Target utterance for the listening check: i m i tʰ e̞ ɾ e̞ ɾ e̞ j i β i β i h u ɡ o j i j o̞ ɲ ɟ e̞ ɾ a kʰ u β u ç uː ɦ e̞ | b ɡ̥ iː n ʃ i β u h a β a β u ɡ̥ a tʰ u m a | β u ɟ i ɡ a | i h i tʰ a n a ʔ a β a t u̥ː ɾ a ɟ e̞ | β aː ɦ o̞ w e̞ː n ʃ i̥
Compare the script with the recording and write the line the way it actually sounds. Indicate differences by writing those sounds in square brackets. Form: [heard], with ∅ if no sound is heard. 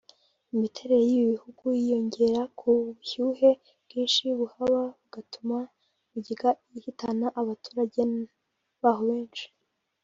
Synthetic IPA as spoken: i m i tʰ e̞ ɾ e̞ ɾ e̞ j i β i β i h u ɡ [u] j i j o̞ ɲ ɟ e̞ ɾ a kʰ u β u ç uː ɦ e̞ | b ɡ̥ iː n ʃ i β u h a β a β u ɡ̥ a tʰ u m a | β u ɟ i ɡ a | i h i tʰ a n a ʔ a β a t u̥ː ɾ a ɟ e̞ | β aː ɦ o̞ [β] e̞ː n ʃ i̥